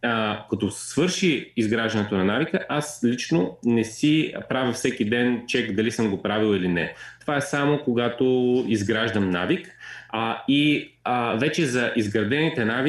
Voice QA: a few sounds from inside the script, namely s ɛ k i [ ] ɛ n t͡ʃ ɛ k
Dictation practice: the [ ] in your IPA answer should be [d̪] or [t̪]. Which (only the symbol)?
d̪